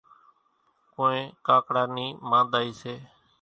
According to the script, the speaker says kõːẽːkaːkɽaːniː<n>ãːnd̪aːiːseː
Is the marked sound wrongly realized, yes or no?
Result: yes